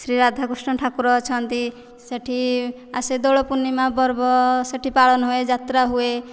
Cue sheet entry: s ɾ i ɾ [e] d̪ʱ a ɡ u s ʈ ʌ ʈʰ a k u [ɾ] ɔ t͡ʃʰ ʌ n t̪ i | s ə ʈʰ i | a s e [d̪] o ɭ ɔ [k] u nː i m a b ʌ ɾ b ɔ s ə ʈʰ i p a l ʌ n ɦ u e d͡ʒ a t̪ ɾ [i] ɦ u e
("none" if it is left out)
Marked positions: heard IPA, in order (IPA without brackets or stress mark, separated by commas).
a, ɾ, d̪, p, a